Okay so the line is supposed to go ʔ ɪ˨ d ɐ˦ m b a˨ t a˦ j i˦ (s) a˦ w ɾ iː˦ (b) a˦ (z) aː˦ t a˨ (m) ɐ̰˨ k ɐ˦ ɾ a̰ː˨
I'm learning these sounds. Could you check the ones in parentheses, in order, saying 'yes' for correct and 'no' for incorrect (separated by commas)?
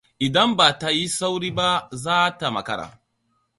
yes, yes, yes, yes